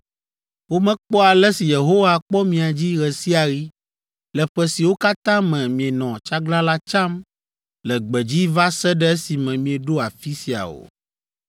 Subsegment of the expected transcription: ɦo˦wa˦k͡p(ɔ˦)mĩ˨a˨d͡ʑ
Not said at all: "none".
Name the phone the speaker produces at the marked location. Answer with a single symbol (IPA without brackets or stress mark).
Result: ɔ˦